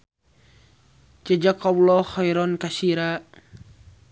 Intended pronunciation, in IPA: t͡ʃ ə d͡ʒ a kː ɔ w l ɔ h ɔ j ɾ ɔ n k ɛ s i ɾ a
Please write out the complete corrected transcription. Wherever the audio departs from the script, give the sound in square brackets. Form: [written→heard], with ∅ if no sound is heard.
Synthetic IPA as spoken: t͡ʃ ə d͡ʒ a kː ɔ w l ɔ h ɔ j ɾ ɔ n k [ɛ→a] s i ɾ a